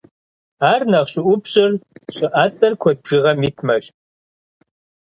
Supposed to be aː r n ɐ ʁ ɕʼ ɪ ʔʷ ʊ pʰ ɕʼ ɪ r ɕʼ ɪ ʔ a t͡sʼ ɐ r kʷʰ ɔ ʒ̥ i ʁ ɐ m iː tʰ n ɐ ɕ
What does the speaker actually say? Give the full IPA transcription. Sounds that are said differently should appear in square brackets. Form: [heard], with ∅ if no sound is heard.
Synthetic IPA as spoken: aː r n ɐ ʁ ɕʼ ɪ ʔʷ ʊ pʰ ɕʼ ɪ r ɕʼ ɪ ʔ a t͡sʼ ɐ r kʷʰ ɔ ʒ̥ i ʁ ɐ m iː tʰ [m] ɐ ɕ

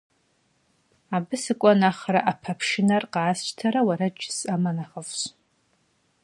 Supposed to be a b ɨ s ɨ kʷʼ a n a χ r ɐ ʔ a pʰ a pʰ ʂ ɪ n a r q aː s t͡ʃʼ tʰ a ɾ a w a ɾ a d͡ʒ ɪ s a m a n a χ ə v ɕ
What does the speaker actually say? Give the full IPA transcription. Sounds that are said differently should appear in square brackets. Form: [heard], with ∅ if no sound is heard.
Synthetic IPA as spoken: a b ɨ s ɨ kʷʼ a n a χ r [a] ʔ a pʰ a pʰ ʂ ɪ n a r q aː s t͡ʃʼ tʰ a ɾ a w a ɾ a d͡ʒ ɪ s a m a n a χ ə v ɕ

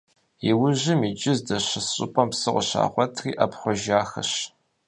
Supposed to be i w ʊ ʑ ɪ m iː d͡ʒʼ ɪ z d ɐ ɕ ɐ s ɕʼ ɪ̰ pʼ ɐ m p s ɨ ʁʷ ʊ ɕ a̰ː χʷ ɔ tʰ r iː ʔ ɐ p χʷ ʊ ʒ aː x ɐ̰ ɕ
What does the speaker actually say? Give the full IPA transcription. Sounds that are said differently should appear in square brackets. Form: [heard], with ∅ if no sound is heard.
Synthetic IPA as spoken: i w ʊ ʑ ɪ m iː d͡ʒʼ ɪ z d ɐ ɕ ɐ s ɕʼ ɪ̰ pʼ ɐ m p s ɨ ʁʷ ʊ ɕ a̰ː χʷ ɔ tʰ r iː ʔ ɐ p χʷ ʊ ʒ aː x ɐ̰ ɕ

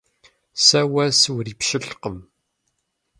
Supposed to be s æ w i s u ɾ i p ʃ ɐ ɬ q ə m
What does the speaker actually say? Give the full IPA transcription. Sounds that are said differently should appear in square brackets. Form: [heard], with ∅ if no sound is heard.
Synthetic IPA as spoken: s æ w [æ] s [w] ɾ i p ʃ [ə] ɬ q ə m

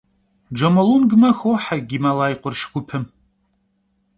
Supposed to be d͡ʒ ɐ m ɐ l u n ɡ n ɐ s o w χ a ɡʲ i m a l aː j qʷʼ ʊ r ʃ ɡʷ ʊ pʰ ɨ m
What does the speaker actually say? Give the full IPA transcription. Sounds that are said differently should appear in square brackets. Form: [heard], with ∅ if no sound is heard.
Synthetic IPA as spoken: d͡ʒ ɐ m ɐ l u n ɡ [m] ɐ [x] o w [ħ] a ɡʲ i m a l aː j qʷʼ ʊ r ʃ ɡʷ ʊ pʰ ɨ m

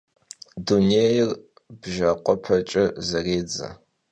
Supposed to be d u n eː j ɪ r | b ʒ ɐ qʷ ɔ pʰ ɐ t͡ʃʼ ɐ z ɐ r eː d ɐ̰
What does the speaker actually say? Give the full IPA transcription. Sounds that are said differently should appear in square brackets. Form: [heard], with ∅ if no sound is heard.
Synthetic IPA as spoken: d u n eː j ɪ r | b ʒ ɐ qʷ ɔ pʰ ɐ t͡ʃʼ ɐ z ɐ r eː [d͡z] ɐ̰

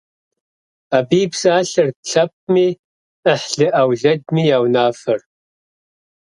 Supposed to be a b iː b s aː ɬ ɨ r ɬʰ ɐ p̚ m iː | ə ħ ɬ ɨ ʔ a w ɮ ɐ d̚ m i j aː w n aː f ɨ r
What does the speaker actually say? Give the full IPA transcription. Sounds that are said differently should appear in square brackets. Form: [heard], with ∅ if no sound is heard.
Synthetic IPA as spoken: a b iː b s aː ɬ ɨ r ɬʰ ɐ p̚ m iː | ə ħ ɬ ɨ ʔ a w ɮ ɐ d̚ m i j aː w n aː f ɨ r

